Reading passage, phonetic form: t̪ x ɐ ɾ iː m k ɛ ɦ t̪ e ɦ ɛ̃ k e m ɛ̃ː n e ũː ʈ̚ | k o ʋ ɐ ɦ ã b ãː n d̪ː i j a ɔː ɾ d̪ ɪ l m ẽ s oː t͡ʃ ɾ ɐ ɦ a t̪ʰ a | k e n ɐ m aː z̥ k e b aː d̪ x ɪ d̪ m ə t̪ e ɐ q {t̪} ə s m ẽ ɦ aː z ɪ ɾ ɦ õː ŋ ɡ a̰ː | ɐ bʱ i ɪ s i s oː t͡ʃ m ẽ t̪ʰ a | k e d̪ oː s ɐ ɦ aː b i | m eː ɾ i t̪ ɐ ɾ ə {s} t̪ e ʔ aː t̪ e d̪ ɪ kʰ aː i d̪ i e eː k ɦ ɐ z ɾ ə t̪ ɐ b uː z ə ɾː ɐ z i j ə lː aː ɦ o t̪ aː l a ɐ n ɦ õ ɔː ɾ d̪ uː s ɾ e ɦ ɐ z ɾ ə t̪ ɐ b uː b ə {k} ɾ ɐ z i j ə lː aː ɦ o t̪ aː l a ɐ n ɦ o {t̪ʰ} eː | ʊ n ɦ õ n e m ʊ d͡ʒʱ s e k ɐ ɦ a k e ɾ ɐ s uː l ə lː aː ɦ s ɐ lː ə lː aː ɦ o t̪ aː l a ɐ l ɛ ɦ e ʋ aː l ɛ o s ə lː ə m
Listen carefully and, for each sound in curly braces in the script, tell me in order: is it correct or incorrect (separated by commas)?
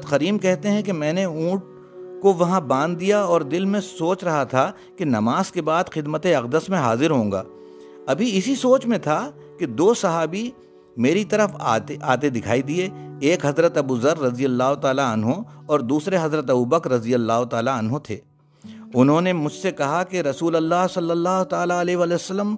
incorrect, incorrect, correct, correct